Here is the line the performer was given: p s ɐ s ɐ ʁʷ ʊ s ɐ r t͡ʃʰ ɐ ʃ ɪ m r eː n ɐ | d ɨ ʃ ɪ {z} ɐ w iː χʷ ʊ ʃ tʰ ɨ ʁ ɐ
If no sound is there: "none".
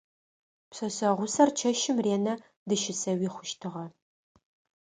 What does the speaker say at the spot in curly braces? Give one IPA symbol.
s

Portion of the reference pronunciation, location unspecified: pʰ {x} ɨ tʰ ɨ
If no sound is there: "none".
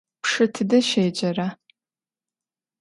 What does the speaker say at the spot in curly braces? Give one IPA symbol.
ʂ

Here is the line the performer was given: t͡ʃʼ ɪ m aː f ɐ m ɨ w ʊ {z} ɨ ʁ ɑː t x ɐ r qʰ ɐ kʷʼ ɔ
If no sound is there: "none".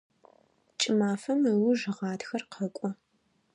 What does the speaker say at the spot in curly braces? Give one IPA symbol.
ʒ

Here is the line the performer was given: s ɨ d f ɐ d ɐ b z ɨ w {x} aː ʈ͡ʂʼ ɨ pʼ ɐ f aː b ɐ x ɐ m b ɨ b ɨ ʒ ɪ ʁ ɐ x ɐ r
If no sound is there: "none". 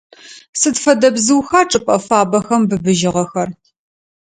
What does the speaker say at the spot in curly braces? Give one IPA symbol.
x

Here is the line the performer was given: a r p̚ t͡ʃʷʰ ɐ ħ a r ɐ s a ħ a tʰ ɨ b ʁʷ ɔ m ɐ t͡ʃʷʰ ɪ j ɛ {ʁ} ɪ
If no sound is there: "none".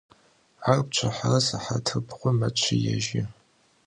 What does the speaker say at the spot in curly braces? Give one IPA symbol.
ʒ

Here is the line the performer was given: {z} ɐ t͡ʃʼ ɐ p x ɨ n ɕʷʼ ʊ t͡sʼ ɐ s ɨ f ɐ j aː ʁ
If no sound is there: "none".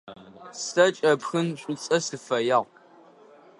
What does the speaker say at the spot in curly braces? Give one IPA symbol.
s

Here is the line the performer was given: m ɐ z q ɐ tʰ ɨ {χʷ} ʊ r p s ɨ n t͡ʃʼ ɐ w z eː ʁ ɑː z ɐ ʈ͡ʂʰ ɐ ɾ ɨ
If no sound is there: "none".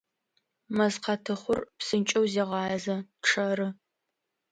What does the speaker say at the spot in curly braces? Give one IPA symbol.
χʷ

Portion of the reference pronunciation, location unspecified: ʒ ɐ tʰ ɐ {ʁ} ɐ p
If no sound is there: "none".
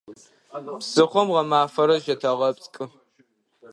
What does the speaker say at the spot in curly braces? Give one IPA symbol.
ʁ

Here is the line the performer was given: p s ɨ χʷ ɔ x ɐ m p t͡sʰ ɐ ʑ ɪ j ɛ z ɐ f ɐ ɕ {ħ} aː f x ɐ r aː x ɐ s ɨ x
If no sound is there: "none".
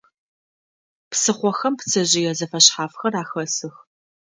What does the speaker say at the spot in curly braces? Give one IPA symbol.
ħ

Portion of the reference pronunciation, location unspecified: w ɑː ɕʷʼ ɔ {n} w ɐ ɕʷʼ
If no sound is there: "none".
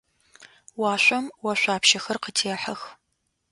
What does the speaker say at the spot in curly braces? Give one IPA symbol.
m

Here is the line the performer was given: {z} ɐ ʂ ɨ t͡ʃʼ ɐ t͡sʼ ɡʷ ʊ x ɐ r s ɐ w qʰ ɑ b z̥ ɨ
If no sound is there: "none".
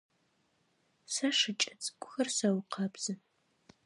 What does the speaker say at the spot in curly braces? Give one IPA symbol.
s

